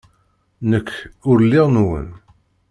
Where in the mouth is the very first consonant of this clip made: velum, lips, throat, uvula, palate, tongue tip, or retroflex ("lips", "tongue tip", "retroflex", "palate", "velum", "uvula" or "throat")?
tongue tip